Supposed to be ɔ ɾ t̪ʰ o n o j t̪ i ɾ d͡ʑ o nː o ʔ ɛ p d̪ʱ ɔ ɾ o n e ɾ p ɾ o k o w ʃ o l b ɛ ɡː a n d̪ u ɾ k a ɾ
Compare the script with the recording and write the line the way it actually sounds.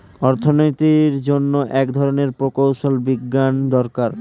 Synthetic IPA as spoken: ɔ ɾ t̪ʰ o n o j t̪ i ɾ d͡ʑ o nː o ʔ ɛ k d̪ʱ ɔ ɾ o n e ɾ p ɾ o k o w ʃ o l b i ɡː a n d̪ ɔ ɾ k a ɾ